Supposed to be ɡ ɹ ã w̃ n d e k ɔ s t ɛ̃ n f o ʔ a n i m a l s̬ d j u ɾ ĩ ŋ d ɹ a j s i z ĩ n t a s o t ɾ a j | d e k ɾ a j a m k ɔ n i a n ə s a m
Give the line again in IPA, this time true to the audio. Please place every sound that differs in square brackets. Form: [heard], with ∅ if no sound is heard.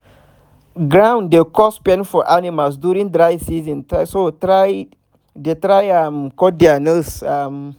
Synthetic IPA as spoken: ɡ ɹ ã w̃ n d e k ɔ s [p] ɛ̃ n f [ɔ] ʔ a n i m a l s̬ d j u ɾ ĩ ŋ d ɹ a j s i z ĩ n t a s o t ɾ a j | d e [t] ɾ a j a m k ɔ [d] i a n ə s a m